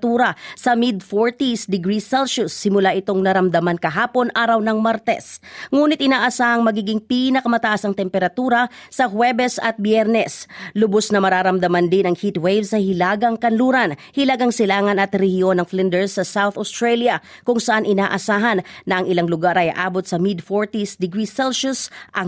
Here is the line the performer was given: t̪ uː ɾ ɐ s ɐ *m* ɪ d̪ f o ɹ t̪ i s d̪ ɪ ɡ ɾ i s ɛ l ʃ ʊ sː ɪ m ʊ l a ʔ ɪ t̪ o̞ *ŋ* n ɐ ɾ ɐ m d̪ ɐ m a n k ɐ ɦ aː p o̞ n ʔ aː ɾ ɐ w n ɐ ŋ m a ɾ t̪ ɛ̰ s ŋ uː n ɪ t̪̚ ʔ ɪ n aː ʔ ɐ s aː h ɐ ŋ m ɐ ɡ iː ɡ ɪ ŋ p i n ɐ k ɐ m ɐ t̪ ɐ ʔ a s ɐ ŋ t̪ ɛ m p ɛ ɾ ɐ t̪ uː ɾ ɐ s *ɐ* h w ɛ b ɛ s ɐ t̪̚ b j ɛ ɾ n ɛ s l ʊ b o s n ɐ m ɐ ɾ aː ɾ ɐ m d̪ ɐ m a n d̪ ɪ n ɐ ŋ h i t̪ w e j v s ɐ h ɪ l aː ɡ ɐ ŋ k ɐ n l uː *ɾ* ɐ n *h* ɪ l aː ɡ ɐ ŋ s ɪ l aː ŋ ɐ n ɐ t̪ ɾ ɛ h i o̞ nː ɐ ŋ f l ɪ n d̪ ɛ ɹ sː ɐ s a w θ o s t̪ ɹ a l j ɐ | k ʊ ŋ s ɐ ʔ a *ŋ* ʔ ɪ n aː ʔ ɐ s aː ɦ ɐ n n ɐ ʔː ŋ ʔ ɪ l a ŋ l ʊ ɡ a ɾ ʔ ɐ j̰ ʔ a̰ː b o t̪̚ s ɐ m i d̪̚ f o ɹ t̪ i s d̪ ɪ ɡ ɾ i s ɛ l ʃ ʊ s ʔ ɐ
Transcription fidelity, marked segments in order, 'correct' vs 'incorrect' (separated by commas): correct, correct, correct, correct, correct, incorrect